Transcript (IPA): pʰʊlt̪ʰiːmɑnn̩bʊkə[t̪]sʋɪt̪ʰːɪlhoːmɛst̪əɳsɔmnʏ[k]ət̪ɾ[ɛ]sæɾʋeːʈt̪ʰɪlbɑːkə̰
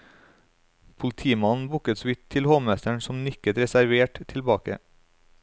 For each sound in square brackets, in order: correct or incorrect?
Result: correct, correct, correct

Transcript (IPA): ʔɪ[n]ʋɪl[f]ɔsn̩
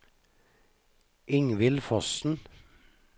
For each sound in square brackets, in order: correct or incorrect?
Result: incorrect: ŋ, correct

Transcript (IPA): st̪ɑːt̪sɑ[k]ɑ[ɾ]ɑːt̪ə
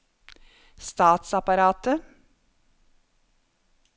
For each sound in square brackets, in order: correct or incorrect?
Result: incorrect: p, correct

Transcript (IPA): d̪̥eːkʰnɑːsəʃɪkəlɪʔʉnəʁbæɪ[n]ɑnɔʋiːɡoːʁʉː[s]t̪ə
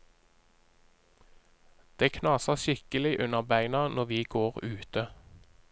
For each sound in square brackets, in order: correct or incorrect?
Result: correct, incorrect: none

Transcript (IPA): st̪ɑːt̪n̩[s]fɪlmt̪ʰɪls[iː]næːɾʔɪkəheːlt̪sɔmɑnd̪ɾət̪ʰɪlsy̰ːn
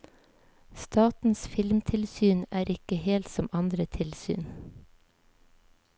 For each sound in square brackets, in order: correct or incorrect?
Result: correct, incorrect: yː

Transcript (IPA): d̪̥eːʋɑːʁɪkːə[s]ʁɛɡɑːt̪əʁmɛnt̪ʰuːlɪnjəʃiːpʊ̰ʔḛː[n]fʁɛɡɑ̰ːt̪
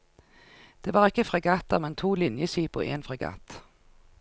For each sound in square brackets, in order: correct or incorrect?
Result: incorrect: f, correct

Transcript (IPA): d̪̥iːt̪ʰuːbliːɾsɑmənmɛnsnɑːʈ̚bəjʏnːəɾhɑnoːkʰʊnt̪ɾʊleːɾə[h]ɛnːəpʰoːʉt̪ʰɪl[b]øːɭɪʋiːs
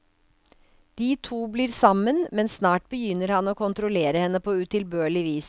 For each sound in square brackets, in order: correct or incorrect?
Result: correct, correct

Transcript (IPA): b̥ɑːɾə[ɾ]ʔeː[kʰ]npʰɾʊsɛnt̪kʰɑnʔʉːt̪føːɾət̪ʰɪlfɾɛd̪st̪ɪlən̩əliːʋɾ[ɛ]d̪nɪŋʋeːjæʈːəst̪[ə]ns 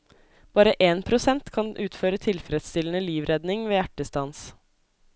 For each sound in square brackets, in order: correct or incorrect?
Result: incorrect: none, incorrect: none, correct, incorrect: ɑ

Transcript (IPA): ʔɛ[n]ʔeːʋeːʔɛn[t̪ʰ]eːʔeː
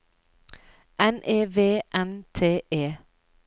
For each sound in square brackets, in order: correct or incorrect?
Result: correct, correct

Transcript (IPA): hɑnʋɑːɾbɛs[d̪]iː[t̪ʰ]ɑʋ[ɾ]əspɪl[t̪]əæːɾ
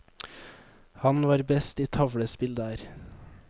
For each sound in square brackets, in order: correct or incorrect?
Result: incorrect: t̪, correct, incorrect: ɽ, incorrect: d̪

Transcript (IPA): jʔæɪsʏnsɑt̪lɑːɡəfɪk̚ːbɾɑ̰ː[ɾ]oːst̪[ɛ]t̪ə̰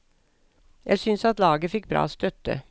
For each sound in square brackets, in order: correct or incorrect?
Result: incorrect: none, incorrect: œ

